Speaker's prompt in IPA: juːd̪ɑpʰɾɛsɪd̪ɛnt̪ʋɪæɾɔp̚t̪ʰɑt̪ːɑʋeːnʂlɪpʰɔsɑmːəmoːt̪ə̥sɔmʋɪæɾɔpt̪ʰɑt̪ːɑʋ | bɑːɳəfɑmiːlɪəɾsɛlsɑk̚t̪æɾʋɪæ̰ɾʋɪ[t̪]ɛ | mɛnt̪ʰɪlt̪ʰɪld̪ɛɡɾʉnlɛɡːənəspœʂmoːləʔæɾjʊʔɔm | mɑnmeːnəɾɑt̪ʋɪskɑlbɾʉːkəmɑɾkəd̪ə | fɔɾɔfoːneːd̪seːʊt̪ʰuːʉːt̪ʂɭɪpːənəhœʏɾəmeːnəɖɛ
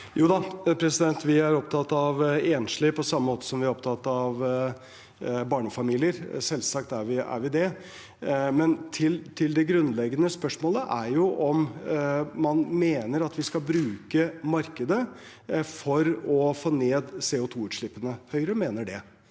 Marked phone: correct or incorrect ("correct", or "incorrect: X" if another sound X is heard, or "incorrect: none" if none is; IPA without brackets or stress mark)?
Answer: incorrect: d̪